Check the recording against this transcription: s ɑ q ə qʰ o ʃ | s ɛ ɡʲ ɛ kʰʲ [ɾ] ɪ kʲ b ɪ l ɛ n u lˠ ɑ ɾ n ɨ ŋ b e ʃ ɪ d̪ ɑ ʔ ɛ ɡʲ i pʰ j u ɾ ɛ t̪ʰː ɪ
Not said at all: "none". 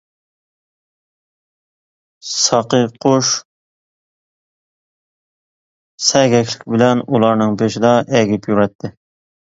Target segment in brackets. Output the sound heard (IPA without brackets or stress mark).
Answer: l